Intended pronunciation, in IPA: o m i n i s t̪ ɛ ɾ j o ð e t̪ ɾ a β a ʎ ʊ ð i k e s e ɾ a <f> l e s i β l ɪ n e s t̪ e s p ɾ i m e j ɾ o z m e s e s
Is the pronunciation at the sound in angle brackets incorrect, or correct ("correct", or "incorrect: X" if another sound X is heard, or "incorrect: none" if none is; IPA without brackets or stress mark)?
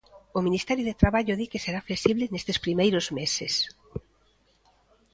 correct